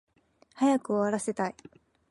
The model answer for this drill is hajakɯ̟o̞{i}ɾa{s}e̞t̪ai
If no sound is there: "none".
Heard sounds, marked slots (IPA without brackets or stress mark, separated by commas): a, s